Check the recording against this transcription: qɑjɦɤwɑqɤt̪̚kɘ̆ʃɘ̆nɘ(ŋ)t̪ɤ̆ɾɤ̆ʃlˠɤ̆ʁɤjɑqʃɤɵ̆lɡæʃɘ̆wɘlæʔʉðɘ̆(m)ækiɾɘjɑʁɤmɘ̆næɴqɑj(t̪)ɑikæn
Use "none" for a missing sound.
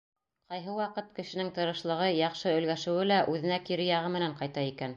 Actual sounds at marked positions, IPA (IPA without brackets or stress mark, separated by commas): ŋ, n, t̪